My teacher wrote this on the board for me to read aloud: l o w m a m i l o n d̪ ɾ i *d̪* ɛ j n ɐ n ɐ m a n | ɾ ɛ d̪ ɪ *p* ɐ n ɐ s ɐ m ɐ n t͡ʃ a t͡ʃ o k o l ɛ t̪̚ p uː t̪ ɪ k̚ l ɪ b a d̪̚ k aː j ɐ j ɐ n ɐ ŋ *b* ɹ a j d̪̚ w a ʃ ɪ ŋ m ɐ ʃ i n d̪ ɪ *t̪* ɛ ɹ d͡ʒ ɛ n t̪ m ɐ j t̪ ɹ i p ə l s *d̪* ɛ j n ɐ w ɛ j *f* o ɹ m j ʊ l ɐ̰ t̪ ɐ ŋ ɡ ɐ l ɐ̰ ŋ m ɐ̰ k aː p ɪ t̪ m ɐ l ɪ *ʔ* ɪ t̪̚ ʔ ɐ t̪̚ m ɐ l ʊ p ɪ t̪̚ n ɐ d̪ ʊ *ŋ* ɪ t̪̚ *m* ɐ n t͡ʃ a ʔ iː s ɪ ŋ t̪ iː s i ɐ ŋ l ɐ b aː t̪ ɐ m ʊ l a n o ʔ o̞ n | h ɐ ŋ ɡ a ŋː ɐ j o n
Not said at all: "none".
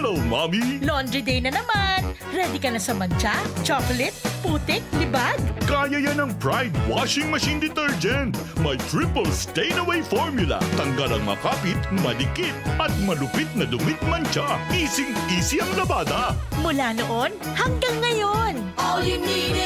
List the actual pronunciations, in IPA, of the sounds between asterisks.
d̪, k, p, t̪, t̪, f, k, m, m

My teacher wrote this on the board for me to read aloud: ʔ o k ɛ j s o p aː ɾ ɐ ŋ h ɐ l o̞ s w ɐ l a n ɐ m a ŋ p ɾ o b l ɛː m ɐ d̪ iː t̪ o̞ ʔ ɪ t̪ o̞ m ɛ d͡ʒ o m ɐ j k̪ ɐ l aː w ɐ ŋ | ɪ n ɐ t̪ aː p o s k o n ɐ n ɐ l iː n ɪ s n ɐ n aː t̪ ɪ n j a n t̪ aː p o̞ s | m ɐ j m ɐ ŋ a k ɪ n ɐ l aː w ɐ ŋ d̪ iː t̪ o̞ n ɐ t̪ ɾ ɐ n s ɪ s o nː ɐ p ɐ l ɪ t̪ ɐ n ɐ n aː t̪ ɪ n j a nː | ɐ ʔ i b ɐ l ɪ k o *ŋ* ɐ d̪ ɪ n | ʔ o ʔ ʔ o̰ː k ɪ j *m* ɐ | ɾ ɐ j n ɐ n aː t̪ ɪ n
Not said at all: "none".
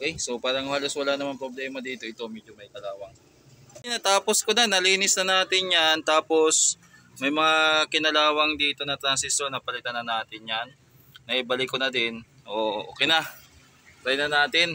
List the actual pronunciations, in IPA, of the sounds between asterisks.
n, n

